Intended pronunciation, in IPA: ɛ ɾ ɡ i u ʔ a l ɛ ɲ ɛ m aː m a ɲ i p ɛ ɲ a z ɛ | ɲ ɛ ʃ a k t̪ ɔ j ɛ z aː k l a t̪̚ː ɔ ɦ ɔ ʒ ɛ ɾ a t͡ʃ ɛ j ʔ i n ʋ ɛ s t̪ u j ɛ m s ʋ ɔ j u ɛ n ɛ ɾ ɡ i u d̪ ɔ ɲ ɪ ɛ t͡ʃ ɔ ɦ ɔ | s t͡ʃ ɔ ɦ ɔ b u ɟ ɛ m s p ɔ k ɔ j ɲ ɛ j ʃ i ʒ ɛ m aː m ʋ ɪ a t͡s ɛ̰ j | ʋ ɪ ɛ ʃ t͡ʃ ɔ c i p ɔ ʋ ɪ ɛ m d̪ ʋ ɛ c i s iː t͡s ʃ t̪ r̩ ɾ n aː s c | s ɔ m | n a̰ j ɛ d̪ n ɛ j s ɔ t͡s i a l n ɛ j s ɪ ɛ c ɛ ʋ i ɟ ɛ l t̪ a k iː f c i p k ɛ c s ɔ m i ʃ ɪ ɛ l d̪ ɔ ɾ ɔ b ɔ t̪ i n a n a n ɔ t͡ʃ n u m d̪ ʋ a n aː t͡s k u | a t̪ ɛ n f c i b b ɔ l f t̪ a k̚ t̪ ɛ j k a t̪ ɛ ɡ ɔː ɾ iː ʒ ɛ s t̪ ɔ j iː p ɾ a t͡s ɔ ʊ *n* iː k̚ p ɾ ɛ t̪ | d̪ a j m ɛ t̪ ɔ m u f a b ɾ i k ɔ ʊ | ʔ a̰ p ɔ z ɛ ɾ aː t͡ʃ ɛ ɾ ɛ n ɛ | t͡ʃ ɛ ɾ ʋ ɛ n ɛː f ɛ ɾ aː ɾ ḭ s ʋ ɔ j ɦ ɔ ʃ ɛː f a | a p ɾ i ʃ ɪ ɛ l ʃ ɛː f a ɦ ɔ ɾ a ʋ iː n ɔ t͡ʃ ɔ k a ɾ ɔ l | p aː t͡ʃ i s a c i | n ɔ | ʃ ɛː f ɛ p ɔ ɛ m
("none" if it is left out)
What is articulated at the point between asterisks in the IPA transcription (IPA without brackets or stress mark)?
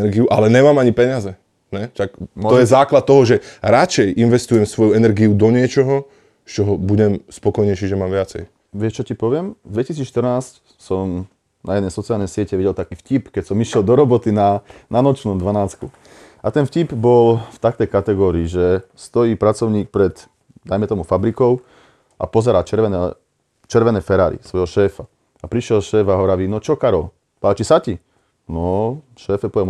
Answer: ɲ